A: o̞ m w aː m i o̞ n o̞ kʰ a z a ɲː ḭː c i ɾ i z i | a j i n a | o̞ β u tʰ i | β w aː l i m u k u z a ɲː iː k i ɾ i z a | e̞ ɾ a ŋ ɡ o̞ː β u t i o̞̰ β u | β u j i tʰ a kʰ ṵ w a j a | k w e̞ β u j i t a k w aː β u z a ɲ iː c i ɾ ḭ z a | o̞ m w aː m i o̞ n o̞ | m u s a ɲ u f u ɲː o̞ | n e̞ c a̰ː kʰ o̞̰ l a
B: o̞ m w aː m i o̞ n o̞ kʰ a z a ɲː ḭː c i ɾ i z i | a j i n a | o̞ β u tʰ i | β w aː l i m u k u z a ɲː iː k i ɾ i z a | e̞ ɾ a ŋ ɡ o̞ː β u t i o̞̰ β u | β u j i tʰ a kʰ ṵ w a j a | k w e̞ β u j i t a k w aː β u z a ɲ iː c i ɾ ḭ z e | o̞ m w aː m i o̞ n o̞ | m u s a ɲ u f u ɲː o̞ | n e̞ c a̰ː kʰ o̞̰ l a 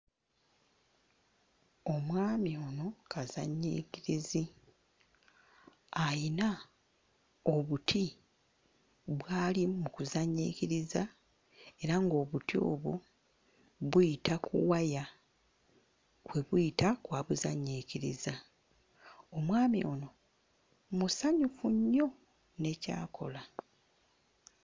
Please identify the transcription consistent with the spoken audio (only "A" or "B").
A